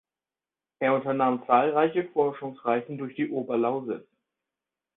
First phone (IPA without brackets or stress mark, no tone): ʔ